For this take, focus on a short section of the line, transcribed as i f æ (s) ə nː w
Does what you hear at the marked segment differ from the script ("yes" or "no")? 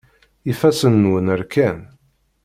no